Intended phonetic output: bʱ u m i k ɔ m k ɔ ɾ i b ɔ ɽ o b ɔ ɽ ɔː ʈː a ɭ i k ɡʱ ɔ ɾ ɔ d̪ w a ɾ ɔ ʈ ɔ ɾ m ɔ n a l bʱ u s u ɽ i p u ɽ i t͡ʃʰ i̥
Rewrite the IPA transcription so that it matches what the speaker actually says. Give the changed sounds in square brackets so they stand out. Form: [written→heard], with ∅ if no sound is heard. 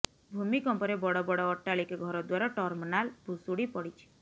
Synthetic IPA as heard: bʱ u m i k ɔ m [k→p] ɔ ɾ [i→e] b ɔ ɽ [o→ɔ] b ɔ ɽ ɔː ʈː a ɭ i k ɡʱ ɔ ɾ ɔ d̪ w a ɾ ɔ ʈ ɔ ɾ m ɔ n a l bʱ u s u ɽ i p [u→ɔ] ɽ i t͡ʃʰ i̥